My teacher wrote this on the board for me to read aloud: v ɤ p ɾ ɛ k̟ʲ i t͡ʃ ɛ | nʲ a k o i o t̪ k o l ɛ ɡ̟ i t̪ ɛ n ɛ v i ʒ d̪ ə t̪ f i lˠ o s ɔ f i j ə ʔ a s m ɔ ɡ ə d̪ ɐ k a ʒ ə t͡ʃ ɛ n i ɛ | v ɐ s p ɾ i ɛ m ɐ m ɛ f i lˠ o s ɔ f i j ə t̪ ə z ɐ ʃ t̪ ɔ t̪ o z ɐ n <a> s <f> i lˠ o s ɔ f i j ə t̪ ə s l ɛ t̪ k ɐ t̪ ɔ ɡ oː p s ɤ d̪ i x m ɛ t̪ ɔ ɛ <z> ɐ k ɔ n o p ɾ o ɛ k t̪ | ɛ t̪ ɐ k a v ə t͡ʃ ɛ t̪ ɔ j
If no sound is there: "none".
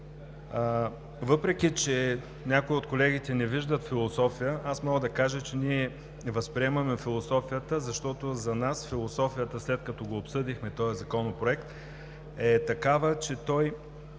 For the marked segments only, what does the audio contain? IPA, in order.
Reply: a, f, z

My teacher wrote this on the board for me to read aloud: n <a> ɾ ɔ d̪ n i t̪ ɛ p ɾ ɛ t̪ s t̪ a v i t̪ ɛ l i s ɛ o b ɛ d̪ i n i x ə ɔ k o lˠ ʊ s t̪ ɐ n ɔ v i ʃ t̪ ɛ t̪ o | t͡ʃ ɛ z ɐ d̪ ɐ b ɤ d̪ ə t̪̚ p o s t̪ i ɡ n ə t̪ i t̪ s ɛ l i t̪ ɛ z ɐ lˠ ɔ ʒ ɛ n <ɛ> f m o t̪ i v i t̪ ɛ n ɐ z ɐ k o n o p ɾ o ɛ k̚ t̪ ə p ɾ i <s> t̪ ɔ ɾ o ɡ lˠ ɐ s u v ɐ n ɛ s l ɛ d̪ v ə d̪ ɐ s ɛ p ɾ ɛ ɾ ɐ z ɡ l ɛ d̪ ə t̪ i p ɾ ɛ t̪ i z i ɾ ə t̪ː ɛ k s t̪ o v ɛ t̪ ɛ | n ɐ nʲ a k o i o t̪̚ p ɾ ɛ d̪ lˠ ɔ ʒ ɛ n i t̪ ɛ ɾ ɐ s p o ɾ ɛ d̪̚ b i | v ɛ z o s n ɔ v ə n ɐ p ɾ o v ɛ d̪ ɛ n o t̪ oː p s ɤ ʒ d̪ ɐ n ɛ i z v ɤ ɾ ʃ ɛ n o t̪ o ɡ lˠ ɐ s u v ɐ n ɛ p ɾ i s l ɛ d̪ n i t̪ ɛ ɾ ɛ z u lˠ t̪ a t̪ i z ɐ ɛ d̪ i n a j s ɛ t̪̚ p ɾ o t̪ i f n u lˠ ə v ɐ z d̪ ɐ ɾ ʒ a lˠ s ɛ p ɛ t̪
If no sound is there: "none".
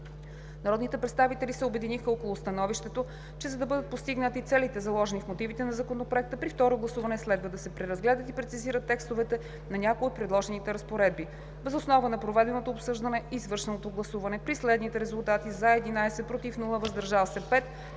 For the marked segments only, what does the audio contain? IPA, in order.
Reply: ɐ, i, f

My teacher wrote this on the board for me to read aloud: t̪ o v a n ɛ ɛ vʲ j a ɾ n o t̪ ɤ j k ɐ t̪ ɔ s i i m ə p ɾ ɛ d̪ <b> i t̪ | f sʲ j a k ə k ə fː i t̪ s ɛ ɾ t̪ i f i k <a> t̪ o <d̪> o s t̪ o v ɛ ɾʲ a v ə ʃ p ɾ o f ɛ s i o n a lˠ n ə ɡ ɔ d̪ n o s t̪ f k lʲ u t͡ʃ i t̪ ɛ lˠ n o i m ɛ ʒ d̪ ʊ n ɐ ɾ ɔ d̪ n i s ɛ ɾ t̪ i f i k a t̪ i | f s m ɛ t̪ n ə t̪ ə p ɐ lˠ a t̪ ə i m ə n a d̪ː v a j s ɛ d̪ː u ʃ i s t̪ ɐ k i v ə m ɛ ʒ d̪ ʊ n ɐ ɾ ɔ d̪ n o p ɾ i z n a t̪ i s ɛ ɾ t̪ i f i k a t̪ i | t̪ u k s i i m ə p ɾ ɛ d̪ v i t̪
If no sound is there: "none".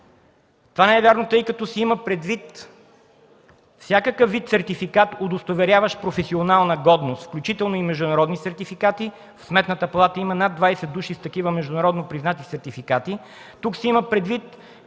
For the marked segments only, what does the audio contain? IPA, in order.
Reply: v, a, d̪

